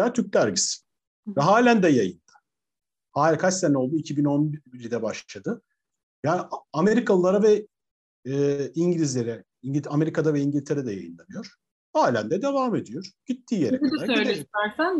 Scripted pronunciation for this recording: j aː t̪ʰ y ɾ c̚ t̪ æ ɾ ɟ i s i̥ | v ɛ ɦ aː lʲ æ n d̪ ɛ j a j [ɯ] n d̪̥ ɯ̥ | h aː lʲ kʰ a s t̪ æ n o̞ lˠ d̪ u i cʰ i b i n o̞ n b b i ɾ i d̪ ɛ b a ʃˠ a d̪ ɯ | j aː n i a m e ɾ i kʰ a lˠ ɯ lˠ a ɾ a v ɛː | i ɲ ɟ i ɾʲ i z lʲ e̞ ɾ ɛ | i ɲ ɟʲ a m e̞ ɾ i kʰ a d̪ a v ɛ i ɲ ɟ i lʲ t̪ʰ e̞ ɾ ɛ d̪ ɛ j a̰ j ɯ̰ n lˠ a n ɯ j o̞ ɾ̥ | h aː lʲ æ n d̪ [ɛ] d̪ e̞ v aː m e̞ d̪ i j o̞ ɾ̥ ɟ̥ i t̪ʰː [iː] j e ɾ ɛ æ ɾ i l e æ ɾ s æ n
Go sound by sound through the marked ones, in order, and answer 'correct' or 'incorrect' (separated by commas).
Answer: correct, correct, correct